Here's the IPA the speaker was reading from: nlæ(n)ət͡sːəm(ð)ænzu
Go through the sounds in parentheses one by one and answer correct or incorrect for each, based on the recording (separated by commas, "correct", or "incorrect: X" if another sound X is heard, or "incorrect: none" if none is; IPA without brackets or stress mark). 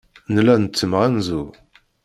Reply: correct, incorrect: ʁ